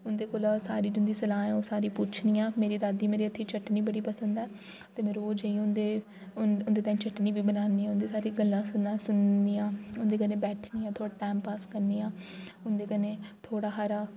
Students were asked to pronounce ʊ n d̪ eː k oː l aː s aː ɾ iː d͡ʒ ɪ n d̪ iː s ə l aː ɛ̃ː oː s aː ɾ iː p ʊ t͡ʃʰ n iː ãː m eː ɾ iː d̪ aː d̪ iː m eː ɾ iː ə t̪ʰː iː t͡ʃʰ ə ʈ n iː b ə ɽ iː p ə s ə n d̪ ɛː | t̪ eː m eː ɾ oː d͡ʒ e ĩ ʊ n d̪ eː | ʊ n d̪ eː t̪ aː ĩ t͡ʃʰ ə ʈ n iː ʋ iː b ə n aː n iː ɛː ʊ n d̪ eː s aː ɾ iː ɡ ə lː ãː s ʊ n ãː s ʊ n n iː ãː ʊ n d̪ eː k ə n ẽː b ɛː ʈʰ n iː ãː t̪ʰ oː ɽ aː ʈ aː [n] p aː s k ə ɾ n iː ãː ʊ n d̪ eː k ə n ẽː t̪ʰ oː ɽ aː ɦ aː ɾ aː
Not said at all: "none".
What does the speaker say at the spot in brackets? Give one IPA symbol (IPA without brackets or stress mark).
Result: m